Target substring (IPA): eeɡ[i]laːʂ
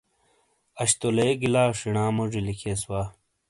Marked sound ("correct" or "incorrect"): correct